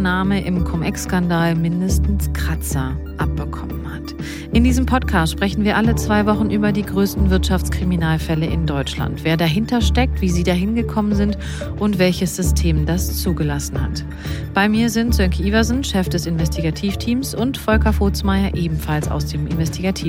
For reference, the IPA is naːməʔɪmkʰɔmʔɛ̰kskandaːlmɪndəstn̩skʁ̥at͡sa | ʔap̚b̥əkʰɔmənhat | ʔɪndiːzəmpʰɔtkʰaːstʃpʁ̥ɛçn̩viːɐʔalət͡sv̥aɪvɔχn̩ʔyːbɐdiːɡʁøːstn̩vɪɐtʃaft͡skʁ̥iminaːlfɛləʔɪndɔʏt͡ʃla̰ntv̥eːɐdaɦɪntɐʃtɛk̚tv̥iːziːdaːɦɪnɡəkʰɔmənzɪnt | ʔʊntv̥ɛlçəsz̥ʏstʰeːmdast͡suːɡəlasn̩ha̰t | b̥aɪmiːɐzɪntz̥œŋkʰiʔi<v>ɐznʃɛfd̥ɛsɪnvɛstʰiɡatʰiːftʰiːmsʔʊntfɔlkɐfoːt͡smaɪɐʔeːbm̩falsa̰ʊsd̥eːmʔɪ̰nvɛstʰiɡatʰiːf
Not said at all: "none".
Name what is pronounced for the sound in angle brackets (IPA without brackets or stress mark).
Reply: v